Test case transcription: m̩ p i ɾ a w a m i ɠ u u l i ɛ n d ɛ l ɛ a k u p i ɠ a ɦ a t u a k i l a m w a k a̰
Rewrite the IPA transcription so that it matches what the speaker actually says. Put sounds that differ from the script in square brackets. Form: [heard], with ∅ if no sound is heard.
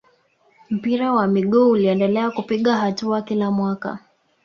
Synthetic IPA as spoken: m̩ p i ɾ a w a m i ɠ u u l i ɛ n d ɛ l ɛ a k u p i ɠ a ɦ a t u a k i l a m w a k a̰